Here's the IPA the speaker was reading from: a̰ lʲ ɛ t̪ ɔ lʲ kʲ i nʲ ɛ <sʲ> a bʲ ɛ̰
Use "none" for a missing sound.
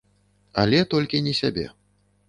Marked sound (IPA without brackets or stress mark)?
sʲ